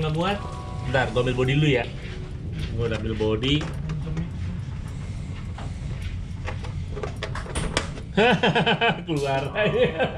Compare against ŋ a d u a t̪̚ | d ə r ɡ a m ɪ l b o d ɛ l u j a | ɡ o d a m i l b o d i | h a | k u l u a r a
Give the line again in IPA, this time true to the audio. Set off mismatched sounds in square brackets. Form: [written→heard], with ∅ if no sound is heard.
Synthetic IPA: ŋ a [d→b] u a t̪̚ | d [ə→a] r ɡ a m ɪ l b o d [ɛ→i] l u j a | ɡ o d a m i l b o d i | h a | k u l u a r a